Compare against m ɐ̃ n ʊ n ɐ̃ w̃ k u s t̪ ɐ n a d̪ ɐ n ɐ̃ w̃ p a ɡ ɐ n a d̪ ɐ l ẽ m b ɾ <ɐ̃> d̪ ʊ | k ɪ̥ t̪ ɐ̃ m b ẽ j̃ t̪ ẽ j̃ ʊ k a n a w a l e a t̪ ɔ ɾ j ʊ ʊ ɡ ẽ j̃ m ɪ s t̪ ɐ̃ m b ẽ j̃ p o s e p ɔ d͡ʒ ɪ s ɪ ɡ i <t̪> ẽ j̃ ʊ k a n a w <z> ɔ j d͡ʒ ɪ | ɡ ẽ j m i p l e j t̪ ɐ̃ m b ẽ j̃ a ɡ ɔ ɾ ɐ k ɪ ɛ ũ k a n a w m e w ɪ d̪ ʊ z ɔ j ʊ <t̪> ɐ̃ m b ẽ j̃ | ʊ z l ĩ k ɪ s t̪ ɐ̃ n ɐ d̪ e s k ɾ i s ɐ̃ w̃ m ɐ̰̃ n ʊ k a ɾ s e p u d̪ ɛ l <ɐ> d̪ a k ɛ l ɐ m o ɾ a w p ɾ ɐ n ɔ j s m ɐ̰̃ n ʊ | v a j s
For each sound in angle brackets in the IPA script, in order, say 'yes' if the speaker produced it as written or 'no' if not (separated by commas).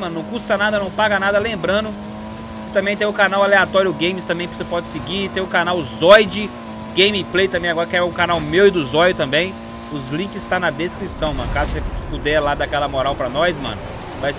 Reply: yes, yes, yes, yes, no